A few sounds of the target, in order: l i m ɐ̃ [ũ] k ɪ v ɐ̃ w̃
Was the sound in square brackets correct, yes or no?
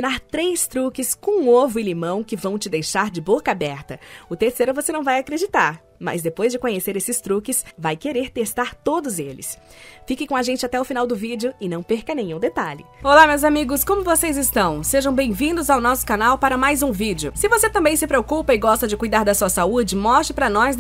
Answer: no